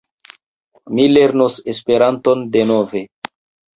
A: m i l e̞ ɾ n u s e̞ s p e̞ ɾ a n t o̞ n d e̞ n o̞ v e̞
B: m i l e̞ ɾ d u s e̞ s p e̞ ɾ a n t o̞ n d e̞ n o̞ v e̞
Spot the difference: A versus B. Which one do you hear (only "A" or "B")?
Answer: A